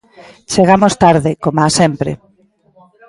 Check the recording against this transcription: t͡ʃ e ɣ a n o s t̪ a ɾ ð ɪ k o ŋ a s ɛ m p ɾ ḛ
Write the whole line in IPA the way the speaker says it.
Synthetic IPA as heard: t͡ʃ e ɣ a m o s t̪ a ɾ ð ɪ k o m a s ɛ m p ɾ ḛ